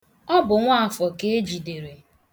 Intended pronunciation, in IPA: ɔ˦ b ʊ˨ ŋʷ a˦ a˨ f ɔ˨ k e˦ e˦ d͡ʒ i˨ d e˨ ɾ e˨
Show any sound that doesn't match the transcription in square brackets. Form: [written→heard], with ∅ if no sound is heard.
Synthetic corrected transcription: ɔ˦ b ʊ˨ ŋʷ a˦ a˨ f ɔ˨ k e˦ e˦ d͡ʒ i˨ d e˨ ɾ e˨